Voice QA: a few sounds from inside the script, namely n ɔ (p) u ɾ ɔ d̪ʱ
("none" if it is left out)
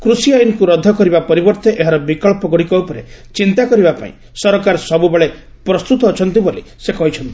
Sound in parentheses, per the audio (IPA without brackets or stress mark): k